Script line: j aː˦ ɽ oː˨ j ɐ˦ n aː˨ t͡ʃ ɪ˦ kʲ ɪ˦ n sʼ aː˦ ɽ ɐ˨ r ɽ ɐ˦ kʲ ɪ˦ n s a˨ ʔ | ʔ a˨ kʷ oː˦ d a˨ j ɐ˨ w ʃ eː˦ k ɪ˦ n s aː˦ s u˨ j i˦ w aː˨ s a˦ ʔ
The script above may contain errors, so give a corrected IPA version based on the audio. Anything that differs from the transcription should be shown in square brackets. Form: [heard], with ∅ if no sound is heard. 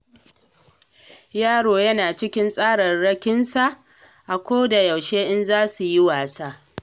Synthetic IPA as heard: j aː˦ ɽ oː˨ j ɐ˦ n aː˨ t͡ʃ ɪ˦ kʲ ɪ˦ n sʼ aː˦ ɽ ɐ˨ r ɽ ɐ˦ kʲ ɪ˦ n s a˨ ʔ | ʔ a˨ kʷ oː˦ d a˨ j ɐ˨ w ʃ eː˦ [ʔ] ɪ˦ n [z] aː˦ s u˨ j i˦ w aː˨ s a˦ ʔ